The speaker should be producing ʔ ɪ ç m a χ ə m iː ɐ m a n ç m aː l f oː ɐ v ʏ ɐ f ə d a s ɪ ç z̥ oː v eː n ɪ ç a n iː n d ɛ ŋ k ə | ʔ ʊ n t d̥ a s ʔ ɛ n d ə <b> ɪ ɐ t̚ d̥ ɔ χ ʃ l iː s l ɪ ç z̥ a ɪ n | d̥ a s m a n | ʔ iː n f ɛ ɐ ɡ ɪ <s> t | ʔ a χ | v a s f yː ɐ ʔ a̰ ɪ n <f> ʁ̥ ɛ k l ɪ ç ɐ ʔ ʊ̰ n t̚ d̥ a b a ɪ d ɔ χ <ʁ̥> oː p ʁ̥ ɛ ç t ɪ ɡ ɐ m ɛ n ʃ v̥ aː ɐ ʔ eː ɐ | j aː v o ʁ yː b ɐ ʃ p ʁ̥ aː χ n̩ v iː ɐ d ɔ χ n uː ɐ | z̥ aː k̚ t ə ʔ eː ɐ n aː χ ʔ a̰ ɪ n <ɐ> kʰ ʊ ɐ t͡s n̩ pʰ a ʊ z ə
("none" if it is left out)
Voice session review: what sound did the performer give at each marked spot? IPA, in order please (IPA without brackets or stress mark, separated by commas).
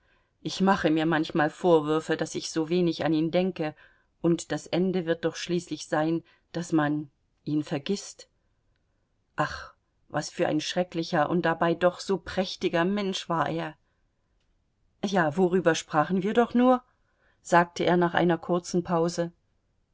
v, s, ʃ, z̥, ɐ